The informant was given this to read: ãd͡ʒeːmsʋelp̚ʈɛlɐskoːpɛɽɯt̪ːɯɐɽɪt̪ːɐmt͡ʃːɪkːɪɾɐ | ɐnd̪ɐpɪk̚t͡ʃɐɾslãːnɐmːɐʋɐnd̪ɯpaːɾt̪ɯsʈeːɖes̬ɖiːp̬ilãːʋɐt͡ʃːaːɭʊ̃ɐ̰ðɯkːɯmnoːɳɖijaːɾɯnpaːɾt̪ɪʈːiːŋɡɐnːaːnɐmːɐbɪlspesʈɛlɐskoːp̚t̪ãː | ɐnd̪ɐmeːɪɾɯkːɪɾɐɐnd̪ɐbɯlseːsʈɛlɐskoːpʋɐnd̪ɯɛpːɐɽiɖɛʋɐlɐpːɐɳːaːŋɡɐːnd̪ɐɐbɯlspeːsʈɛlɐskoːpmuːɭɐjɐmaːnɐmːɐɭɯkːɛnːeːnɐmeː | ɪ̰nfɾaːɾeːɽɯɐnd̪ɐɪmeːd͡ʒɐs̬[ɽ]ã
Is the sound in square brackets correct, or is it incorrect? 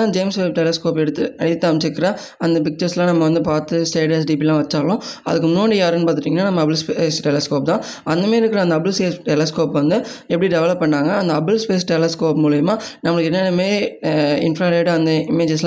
incorrect